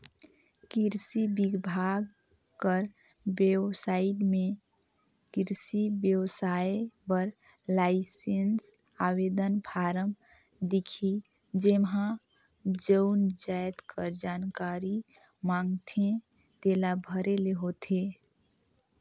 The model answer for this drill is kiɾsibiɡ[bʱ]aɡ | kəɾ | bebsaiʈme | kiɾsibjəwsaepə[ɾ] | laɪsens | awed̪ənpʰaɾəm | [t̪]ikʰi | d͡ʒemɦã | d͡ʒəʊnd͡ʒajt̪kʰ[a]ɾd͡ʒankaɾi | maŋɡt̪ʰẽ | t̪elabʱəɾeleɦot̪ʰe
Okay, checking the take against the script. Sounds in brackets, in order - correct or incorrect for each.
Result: correct, correct, incorrect: d̪, incorrect: ə

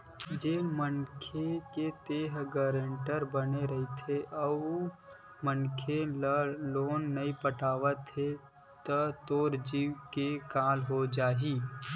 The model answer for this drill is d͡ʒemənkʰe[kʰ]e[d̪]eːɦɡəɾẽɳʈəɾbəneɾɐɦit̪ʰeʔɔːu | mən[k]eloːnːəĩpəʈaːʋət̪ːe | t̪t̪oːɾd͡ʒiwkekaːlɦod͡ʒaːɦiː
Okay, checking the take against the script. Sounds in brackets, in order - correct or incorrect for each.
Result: incorrect: k, incorrect: t̪, incorrect: kʰ

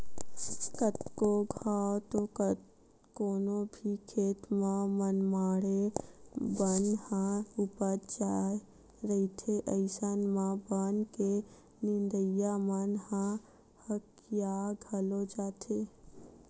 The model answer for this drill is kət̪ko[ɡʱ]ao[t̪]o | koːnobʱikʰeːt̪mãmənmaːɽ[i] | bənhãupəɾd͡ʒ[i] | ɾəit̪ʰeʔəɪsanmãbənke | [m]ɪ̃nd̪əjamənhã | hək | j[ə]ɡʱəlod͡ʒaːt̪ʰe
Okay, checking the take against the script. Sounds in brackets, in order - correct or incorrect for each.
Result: correct, correct, incorrect: e, incorrect: a, incorrect: n, incorrect: a

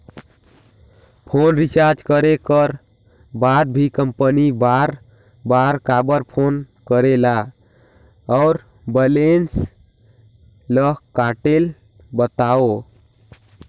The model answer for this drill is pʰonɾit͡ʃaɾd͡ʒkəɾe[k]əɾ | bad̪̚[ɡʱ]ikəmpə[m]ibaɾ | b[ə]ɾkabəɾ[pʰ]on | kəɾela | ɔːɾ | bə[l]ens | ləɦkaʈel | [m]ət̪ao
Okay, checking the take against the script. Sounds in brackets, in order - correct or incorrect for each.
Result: correct, incorrect: bʱ, incorrect: n, incorrect: a, correct, correct, incorrect: b

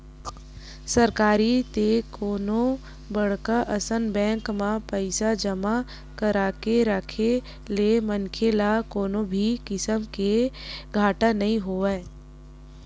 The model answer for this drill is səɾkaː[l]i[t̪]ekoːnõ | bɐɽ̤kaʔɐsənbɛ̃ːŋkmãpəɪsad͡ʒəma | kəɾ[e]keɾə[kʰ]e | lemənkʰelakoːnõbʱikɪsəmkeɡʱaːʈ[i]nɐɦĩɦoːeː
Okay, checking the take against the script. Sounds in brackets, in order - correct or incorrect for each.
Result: incorrect: ɾ, correct, incorrect: a, correct, incorrect: a

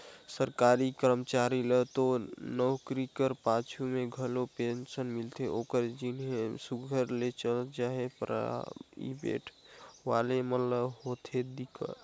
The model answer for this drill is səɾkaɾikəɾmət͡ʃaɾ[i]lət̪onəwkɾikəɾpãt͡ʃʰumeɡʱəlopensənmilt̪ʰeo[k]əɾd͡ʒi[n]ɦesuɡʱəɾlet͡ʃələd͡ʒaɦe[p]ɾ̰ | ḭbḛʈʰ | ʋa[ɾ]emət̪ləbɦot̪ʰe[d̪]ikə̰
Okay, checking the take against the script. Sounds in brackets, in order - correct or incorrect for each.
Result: correct, correct, correct, correct, incorrect: l, correct

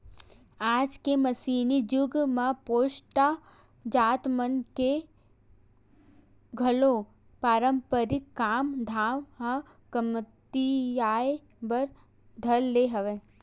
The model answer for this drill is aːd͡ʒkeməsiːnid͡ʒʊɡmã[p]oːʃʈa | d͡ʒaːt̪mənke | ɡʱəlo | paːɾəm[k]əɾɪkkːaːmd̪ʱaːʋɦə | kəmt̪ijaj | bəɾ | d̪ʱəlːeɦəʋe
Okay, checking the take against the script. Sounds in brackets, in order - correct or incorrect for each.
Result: correct, incorrect: p

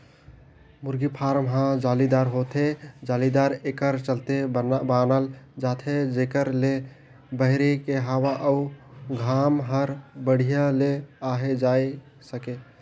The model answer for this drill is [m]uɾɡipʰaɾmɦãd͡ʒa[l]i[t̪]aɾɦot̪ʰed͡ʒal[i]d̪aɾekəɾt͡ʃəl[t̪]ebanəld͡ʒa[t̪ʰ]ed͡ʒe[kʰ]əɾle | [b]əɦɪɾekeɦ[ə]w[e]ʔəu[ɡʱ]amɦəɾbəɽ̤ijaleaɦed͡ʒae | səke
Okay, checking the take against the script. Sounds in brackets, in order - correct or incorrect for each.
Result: correct, correct, incorrect: d̪, correct, correct, correct, incorrect: k, correct, incorrect: a, incorrect: a, correct

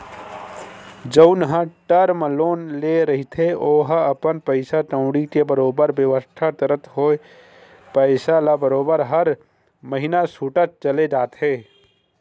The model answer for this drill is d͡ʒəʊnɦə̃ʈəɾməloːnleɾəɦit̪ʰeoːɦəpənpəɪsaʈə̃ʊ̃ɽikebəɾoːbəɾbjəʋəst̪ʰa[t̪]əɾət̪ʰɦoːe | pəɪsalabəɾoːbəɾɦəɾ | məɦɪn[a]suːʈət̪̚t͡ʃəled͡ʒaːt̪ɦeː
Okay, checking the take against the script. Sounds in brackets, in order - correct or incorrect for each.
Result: correct, correct

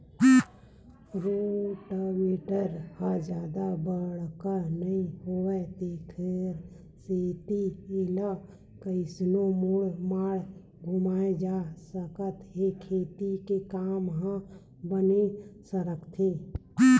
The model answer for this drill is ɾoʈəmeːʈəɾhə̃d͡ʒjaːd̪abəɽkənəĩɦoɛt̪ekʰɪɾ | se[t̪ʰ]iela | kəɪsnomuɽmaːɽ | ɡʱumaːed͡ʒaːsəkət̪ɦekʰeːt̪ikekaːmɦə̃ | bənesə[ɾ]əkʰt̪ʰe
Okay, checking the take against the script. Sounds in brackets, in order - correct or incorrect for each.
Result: incorrect: t̪, correct

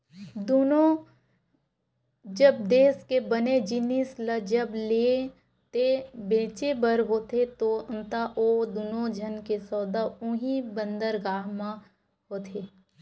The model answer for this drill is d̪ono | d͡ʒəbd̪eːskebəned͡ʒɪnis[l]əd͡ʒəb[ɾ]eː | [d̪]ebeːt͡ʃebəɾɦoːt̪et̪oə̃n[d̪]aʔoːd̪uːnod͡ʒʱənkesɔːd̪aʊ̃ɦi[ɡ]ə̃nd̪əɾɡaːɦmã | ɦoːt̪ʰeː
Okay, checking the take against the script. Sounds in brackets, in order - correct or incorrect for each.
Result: correct, incorrect: l, incorrect: t̪, incorrect: t̪, incorrect: b

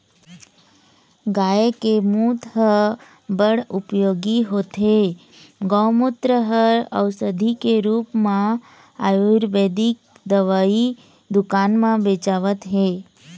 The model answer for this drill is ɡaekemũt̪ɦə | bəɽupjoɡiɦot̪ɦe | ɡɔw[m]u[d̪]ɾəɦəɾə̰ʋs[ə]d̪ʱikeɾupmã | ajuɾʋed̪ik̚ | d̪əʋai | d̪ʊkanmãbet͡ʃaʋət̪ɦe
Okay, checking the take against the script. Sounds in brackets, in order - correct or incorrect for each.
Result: correct, incorrect: t̪, correct

